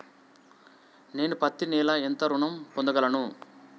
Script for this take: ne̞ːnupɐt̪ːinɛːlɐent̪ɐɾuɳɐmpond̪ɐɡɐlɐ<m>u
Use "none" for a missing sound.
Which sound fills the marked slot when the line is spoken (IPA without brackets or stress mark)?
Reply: n